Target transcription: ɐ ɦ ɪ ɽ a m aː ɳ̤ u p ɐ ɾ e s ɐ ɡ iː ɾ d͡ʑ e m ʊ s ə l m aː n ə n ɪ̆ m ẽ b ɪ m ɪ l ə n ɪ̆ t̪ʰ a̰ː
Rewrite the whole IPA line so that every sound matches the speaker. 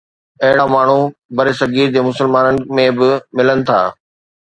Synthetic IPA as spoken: ɐ ɦ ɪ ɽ a m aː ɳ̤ u b ɐ ɾ e s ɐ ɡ iː ɾ d͡ʑ e m ʊ s ə l m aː n ə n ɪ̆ m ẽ b ɪ m ɪ l ə n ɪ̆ t̪ʰ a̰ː